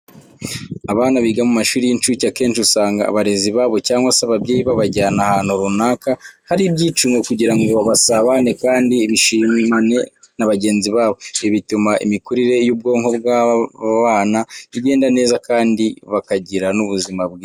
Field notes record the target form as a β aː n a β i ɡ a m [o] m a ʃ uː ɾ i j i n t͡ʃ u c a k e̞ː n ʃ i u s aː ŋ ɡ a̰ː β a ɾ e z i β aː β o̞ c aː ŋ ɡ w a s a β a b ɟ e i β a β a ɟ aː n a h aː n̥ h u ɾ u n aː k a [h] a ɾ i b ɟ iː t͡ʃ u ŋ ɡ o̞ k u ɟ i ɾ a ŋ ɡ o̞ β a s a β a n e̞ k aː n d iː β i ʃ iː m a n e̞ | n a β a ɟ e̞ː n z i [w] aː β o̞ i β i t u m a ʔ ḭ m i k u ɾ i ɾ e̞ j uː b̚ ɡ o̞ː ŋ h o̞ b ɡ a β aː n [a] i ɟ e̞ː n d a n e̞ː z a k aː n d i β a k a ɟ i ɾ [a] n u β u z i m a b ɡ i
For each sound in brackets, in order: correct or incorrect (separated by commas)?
incorrect, correct, incorrect, correct, correct